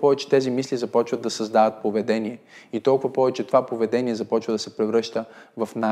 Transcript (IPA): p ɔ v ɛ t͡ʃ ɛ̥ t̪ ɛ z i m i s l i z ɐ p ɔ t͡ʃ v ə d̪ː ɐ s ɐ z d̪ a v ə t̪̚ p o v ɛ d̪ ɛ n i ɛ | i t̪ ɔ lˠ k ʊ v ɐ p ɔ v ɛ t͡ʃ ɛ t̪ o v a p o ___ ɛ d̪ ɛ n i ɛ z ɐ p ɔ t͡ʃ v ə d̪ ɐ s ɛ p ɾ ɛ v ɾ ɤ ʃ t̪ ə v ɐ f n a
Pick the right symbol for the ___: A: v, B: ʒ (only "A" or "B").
A